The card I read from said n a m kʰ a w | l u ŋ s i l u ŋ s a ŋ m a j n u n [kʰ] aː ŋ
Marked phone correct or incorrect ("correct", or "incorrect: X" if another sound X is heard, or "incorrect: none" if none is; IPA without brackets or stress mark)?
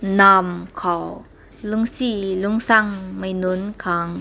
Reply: correct